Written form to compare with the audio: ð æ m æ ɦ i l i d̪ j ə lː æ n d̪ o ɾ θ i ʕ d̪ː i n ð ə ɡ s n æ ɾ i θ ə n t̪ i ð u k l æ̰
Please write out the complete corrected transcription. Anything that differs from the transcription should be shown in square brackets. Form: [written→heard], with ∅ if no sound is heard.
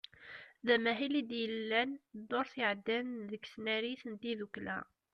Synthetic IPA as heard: ð æ m æ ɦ i l i d̪ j ə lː æ n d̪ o ɾ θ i ʕ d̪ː [i→æ] n ð ə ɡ s n æ ɾ i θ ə n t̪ i ð u k l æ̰